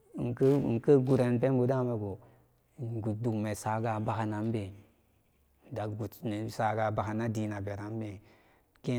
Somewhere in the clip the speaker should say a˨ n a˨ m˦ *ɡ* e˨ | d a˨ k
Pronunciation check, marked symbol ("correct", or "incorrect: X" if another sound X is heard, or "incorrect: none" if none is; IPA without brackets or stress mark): incorrect: b